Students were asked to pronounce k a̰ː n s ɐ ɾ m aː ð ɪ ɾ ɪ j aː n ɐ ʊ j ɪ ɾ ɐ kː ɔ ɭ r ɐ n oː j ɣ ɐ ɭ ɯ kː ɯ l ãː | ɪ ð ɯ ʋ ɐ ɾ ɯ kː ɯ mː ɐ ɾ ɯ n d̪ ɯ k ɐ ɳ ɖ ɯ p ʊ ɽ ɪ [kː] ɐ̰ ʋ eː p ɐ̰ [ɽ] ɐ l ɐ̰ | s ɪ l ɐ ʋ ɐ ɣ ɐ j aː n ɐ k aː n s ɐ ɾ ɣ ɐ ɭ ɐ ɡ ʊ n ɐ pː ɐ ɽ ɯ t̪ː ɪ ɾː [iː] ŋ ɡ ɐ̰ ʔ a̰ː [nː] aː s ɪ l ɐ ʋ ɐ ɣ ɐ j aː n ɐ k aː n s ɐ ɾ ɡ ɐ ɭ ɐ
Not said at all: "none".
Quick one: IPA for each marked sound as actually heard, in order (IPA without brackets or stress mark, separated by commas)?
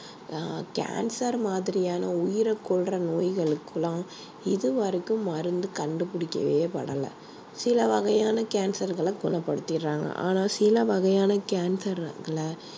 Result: kː, ɽ, aː, n